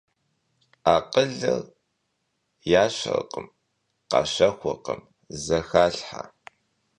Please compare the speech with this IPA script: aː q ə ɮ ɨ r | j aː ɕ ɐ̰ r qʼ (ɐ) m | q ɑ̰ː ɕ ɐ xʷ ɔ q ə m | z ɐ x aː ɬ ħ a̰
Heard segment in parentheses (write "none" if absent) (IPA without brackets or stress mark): ə